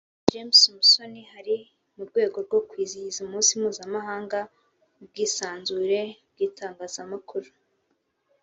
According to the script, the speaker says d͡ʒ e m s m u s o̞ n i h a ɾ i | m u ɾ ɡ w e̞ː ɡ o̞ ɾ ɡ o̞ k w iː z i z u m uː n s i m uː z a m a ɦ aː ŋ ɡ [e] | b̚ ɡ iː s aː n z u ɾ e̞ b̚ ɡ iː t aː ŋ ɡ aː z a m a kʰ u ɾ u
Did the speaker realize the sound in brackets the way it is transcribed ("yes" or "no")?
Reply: no